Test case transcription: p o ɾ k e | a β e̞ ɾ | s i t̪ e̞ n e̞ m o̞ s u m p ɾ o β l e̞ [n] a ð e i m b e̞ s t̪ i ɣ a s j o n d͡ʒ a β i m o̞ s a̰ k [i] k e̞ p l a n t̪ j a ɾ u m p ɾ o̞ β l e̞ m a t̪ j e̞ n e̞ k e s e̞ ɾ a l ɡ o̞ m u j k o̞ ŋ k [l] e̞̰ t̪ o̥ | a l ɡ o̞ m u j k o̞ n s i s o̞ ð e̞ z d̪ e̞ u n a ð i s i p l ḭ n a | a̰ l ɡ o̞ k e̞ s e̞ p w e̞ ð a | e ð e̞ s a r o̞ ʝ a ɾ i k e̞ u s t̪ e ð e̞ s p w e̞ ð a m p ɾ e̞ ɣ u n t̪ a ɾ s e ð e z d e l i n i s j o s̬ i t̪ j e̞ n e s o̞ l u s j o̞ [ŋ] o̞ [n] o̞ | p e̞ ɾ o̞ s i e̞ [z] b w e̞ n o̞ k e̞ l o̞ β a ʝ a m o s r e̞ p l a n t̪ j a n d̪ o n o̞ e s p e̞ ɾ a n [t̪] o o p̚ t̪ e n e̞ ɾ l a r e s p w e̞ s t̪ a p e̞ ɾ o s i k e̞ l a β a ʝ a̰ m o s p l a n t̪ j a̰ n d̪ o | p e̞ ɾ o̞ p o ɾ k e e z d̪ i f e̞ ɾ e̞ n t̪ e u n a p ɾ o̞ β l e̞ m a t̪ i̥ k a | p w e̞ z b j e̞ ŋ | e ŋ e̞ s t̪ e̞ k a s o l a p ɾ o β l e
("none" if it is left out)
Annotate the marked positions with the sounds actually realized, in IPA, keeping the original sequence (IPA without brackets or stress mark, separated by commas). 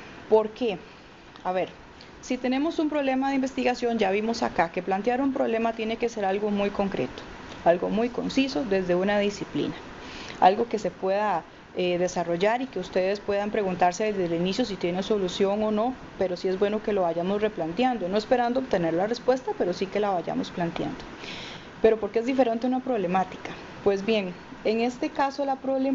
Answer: m, a, ɾ, ŋ, n, z, d̪